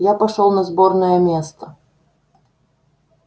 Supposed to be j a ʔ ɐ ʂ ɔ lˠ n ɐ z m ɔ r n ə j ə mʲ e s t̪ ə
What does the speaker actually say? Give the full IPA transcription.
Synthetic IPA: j a p ɐ ʂ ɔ lˠ n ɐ z b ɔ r n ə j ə mʲ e s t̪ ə

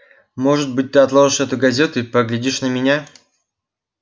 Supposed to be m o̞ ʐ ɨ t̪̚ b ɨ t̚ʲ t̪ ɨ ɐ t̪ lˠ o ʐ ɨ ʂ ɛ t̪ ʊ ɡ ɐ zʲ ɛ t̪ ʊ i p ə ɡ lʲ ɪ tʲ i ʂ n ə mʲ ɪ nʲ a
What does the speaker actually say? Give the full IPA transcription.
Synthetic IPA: m o̞ ʐ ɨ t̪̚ b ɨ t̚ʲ t̪ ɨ ɐ t̪ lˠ o ʐ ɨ ʂ ɛ t̪ ʊ ɡ ɐ zʲ e t̪ ʊ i p ə ɡ lʲ ɪ dʲ i ʂ n ə mʲ ɪ nʲ a

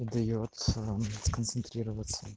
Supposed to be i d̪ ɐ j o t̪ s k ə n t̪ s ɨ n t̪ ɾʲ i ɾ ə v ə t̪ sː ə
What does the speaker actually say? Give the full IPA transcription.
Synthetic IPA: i d̪ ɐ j o t̪ s k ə n t̪ s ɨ n t̪ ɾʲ i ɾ ə v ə t̪ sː ə

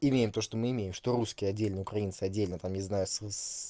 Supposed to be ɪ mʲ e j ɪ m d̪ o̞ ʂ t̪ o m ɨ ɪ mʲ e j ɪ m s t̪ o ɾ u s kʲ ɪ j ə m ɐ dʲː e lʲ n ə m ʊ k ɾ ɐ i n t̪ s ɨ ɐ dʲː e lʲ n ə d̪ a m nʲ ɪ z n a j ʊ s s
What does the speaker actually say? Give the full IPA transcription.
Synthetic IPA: ɪ mʲ e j ɪ m t̪ o̞ ʂ t̪ o m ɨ ɪ mʲ e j ɪ m ʂ t̪ o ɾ u s kʲ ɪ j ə ɐ dʲː e lʲ n ə ʊ k ɾ ɐ i n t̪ s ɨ ɐ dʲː e lʲ n ə t̪ a m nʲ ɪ z n a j ʊ s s

